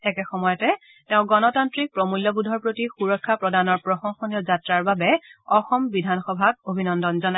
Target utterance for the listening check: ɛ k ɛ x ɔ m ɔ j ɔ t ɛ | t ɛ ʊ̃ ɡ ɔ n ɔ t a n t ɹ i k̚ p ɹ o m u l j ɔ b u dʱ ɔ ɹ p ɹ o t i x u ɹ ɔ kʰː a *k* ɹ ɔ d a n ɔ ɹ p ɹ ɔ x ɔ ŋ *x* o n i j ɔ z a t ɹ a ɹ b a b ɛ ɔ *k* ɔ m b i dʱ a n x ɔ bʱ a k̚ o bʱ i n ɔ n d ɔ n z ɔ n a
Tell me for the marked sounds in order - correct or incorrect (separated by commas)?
incorrect, correct, incorrect